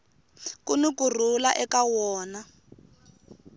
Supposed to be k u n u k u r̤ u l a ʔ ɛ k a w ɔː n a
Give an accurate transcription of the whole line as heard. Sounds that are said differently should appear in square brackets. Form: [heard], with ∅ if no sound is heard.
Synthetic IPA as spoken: k u n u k u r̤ u l a ʔ ɛ k a w ɔː n a